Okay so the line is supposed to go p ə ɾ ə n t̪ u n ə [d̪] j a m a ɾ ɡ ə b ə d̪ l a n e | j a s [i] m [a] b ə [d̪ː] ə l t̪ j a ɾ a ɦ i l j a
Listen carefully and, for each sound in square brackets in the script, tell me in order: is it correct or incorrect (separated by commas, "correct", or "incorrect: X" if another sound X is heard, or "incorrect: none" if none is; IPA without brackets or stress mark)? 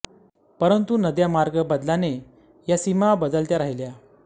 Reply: correct, correct, correct, incorrect: d̪